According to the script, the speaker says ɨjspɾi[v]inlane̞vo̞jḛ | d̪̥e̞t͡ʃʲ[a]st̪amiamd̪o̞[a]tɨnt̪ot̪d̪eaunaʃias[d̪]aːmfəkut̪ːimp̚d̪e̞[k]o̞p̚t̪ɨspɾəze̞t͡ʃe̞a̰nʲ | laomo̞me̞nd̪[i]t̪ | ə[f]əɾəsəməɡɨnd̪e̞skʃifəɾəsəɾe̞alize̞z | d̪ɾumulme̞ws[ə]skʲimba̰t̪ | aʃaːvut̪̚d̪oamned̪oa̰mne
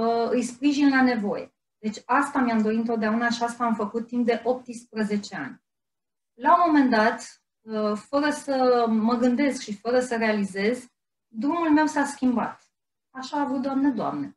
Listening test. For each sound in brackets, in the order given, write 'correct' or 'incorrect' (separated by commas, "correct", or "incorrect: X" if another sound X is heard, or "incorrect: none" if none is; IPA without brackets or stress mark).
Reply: incorrect: ʒ, correct, incorrect: i, incorrect: t̪, incorrect: ʔ, incorrect: a, correct, incorrect: a